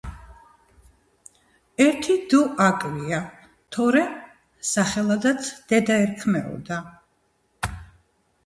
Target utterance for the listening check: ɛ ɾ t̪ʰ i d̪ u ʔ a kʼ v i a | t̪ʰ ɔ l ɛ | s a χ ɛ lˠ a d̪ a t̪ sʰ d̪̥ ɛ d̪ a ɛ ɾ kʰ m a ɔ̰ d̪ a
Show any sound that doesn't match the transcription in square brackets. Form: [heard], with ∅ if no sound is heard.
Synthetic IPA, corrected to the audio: ɛ ɾ t̪ʰ i d̪ u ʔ a kʼ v i a | t̪ʰ ɔ [ɾ] ɛ | s a χ ɛ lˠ a d̪ a t̪ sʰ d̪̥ ɛ d̪ a ɛ ɾ kʰ m [ɛ] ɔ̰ d̪ a